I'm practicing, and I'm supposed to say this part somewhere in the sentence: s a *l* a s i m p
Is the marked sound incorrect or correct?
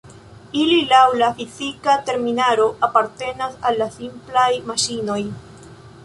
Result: incorrect